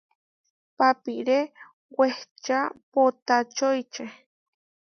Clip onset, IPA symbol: p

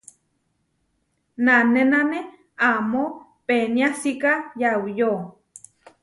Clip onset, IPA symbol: n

